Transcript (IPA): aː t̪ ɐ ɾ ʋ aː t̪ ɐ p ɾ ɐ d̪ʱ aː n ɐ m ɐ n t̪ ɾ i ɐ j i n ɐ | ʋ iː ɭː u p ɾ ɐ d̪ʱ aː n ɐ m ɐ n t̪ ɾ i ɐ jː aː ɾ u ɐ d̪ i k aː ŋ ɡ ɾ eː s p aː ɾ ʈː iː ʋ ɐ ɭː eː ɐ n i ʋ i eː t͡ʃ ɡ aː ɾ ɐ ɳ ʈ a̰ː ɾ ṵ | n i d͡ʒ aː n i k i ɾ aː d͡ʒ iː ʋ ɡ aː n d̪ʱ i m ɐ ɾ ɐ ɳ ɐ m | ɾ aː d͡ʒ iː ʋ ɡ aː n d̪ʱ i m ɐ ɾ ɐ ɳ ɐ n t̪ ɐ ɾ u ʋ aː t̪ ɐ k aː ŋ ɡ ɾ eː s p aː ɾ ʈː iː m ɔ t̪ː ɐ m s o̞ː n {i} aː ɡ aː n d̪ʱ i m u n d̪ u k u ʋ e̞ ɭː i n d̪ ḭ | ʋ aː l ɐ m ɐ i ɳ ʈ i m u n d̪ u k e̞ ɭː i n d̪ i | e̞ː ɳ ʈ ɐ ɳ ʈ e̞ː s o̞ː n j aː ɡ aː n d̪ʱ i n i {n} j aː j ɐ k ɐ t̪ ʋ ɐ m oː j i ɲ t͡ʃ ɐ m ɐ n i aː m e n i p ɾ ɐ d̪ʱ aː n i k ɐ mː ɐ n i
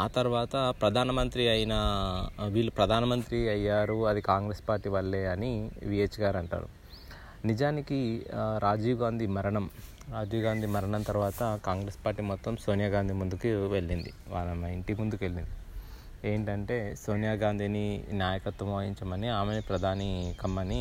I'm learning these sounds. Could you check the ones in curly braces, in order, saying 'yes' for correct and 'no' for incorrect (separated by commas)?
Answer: no, yes